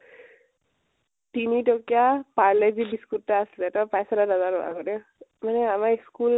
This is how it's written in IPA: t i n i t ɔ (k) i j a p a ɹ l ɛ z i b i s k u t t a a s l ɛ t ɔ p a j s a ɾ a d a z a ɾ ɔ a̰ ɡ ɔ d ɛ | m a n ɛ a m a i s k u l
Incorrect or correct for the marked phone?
correct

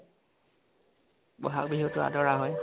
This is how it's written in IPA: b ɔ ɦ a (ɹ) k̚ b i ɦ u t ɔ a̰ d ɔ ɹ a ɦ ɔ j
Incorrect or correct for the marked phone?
incorrect: none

